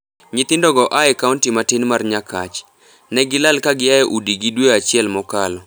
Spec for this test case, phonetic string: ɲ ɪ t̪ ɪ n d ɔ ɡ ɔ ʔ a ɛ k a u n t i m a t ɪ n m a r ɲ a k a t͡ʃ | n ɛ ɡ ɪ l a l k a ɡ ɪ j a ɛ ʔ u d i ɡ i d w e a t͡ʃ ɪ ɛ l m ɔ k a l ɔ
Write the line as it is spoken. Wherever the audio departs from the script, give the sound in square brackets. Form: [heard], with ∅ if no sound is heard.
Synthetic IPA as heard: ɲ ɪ t̪ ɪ n d ɔ ɡ ɔ ʔ a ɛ k a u n t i m a t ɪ n m a r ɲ a k a t͡ʃ | n ɛ ɡ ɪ l a l k a ɡ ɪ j a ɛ ʔ u d i ɡ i d w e a t͡ʃ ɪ ɛ l m ɔ k a l ɔ